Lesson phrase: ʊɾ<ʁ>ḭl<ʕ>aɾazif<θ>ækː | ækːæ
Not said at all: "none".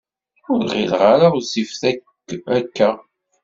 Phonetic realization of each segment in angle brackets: ʁ, ʁ, θ

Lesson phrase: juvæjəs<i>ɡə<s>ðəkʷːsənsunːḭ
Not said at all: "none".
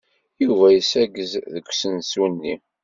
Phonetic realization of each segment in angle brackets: æ, z

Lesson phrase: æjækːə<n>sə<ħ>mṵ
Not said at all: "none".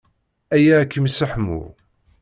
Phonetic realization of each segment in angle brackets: m, ħ

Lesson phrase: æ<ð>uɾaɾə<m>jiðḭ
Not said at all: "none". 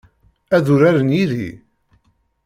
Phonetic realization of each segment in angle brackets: ð, n

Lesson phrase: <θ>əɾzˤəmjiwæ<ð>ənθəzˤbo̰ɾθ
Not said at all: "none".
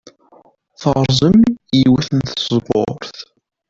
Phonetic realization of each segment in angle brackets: θ, θ

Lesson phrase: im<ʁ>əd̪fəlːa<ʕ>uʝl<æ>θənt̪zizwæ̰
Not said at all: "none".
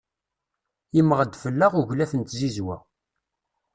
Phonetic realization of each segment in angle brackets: ʁ, ʁ, æ

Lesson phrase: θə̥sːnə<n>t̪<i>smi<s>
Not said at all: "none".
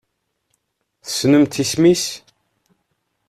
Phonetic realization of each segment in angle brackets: m, i, s

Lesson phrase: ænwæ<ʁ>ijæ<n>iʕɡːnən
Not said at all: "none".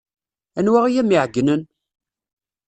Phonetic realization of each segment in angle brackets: ʁ, m

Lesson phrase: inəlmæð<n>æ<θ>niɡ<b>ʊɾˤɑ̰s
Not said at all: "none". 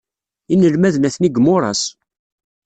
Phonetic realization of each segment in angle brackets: n, θ, m

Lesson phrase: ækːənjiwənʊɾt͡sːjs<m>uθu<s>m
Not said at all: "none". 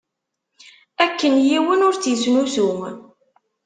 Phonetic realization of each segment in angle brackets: n, none

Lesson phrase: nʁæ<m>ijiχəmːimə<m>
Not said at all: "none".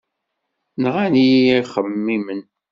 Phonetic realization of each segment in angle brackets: n, n

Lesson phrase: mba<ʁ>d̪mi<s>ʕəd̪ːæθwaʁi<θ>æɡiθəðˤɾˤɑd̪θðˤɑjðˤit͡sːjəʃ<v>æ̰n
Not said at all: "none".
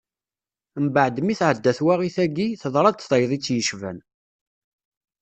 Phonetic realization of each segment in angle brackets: ʕ, θ, θ, v

